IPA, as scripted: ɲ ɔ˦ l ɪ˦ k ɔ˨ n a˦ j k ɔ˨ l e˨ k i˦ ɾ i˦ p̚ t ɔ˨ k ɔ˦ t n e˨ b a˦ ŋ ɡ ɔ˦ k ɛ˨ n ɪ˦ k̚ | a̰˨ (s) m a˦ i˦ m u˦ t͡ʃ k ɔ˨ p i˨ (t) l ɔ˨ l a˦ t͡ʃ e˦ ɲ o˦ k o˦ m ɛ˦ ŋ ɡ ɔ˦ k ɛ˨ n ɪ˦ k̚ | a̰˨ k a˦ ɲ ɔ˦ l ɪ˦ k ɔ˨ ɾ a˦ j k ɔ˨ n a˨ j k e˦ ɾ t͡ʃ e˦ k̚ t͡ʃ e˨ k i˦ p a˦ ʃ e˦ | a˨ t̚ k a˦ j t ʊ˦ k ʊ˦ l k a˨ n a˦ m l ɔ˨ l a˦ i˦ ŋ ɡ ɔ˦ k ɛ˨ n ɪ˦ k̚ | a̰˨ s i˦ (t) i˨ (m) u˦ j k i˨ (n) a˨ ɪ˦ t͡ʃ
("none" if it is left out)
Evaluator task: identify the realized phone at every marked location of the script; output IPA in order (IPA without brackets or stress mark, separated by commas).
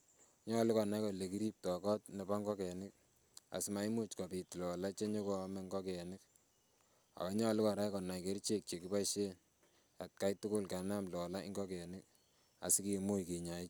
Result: s, t, k, m, ɲ